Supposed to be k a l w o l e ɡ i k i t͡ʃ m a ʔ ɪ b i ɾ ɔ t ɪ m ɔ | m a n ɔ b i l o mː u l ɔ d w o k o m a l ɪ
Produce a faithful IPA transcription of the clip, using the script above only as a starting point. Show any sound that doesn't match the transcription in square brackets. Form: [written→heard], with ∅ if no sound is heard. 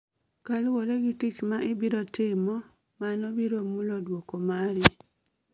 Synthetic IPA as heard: k a l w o l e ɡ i [k→t] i t͡ʃ m a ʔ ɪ b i ɾ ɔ t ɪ m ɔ | m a n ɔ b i [l→ɾ] o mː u l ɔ d w o k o m a [l→ɾ] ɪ

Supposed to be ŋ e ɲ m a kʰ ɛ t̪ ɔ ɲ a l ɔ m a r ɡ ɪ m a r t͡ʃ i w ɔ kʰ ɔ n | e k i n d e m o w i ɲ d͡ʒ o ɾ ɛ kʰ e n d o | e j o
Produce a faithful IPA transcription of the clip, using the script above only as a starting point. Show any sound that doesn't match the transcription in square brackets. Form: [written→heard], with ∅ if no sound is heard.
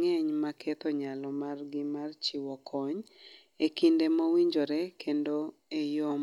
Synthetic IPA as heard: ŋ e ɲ m a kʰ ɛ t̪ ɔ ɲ a l ɔ m a r ɡ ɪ m a r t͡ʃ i w ɔ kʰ ɔ [n→ɲ] | e k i n d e m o w i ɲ d͡ʒ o ɾ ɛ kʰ e n d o | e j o

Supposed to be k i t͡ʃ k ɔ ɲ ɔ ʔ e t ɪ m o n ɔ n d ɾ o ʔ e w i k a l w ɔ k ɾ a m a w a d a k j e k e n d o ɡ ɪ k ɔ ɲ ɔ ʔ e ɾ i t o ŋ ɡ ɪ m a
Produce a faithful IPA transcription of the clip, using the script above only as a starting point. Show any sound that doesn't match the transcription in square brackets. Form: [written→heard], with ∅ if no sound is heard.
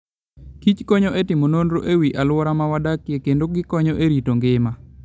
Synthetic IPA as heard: k i t͡ʃ k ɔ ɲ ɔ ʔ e t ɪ m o n [ɔ→o] n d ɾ o ʔ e w i [k→ʔ] a l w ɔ [k→∅] ɾ a m a w a d a k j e k e n d o ɡ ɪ k ɔ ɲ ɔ ʔ e ɾ i t o ŋ ɡ ɪ m a

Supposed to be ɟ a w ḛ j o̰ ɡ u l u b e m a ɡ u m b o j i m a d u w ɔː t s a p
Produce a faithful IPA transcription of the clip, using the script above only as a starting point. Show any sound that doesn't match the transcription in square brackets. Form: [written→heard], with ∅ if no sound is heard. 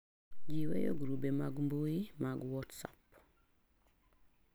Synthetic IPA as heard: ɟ [a→i] w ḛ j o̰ ɡ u [l→ɾ] u b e m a ɡ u m b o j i m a [d→ɡ] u w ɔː t s a p

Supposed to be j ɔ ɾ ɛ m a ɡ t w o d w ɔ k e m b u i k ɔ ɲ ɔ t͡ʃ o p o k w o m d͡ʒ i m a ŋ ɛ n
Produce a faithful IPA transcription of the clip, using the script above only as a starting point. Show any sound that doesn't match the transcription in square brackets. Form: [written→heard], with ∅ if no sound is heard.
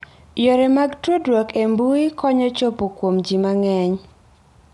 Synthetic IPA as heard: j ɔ ɾ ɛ m a ɡ t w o d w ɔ k e m b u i k ɔ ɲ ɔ t͡ʃ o p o k w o m d͡ʒ i m a ŋ ɛ [n→ɲ]

